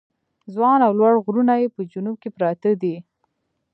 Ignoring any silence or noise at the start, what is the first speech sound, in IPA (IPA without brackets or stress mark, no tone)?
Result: z